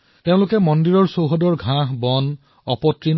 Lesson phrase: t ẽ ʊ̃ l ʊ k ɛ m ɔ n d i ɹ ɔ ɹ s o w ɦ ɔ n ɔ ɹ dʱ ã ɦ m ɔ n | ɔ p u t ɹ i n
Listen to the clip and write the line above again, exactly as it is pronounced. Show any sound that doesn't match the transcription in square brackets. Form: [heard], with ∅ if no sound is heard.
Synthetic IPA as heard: t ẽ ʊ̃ l ʊ k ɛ m ɔ n d i ɹ ɔ ɹ s o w ɦ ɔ [d] ɔ ɹ [ɡʱ] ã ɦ [b] ɔ n | ɔ p [ɔ] t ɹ i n

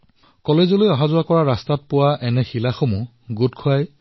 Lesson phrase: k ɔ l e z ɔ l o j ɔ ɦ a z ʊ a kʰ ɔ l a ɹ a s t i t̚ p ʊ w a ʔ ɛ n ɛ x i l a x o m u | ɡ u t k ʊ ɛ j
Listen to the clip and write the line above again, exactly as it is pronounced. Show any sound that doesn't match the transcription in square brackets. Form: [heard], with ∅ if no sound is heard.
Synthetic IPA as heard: k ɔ l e z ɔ l o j ɔ ɦ a z ʊ a [k] ɔ [ɹ] a ɹ a s t [a] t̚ p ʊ w a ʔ ɛ n ɛ x i l a x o m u | ɡ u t [kʰ] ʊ [a] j

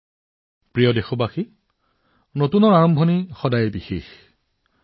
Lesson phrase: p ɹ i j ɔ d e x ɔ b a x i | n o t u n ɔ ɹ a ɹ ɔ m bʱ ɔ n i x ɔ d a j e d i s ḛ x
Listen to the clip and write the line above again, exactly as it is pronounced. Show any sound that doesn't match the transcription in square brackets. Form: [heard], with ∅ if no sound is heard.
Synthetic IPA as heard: p ɹ i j ɔ d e x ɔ b a x i | n o t u n ɔ ɹ a ɹ ɔ m bʱ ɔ n i x ɔ d a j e [b] i [x] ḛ x

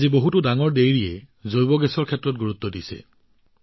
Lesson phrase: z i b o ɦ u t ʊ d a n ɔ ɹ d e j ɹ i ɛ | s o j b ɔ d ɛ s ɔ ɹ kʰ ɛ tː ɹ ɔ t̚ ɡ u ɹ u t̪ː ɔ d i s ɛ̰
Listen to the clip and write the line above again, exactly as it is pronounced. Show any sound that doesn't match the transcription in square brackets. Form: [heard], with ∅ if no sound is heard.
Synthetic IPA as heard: z i b o ɦ u t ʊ d a [ŋ] ɔ ɹ d e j ɹ i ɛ | [z] o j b ɔ [ɡ] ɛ s ɔ ɹ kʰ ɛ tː ɹ ɔ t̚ ɡ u ɹ u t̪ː ɔ d i s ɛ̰

